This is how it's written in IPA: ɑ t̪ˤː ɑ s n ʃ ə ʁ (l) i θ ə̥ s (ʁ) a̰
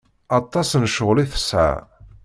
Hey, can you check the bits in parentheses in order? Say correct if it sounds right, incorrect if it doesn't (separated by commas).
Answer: correct, incorrect